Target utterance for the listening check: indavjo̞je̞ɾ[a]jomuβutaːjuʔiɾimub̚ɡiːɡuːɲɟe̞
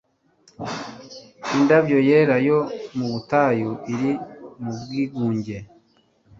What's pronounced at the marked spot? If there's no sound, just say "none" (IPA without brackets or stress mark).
a